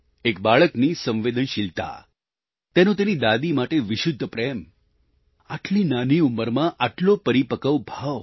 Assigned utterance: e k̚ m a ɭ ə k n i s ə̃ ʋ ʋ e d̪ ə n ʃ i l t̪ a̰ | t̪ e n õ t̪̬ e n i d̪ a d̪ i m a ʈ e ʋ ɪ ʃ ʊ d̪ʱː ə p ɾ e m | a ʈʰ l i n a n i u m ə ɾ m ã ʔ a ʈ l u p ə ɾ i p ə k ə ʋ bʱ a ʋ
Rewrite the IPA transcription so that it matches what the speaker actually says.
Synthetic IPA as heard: e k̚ b a ɭ ə k n i s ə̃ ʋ ʋ e d̪ ə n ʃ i l t̪ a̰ | t̪ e n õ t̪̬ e n i d̪ a d̪ i m a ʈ e ʋ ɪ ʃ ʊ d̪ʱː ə p ɾ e m | a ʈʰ l i n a n i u m ə ɾ m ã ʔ a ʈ l o p ə ɾ i p ə k ə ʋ bʱ a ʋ